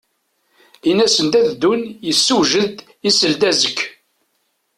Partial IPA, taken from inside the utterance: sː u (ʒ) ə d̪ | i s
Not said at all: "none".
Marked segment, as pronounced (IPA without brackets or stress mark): ʒ